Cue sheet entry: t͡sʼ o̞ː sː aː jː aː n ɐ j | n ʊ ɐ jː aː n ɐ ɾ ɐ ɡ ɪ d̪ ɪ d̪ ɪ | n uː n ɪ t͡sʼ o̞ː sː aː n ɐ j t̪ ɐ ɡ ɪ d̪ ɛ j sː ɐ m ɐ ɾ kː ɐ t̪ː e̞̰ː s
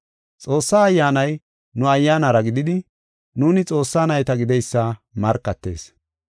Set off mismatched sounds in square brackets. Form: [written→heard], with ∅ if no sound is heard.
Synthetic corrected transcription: t͡sʼ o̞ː sː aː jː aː n ɐ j | n ʊ ɐ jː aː n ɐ ɾ ɐ ɡ ɪ d̪ ɪ d̪ ɪ | n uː n ɪ t͡sʼ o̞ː sː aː n ɐ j t̪ ɐ ɡ ɪ d̪ ɛ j sː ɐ m ɐ ɾ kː ɐ t̪ː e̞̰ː s